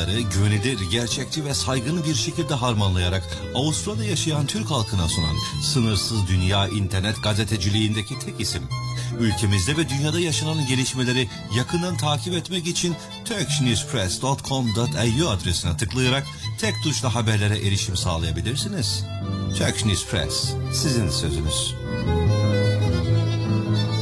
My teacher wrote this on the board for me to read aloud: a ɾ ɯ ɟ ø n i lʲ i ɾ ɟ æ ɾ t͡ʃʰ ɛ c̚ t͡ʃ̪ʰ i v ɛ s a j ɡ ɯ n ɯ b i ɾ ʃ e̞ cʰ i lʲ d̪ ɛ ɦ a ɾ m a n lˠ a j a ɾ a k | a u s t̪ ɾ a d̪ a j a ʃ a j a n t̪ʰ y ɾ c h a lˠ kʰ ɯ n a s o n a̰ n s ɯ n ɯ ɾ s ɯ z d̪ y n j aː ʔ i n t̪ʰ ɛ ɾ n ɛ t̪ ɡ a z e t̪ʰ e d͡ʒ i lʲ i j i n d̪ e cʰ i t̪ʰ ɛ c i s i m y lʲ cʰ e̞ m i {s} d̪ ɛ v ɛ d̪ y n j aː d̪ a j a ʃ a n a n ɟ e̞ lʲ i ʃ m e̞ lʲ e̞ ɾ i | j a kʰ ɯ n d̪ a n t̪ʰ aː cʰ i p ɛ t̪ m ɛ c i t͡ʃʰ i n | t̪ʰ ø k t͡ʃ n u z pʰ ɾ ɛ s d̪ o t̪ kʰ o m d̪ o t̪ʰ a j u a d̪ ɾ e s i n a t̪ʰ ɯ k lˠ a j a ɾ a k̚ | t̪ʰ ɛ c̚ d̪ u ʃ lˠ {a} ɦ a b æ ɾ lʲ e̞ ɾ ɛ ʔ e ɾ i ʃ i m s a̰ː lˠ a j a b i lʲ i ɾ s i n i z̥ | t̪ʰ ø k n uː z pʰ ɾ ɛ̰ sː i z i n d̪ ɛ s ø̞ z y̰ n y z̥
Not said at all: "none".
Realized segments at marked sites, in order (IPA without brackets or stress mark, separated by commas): z, a